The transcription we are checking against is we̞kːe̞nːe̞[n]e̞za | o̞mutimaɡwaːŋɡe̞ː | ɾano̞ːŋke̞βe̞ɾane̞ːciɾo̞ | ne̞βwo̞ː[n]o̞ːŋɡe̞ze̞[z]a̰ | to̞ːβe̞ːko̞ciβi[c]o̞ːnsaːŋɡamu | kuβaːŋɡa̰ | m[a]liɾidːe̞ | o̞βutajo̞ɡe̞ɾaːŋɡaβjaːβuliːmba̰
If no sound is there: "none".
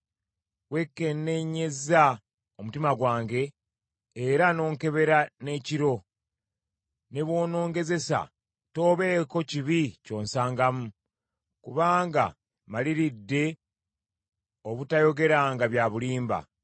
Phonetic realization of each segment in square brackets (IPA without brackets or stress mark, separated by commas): ɲ, n, s, c, a